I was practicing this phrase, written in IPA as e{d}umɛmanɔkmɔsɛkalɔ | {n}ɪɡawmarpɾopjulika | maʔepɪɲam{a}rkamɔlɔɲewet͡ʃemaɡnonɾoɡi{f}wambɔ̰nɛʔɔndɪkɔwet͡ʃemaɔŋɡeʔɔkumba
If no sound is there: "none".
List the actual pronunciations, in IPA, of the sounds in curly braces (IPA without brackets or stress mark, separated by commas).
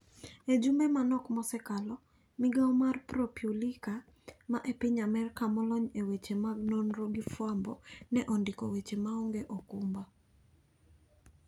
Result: d͡ʒ, m, ɛ, f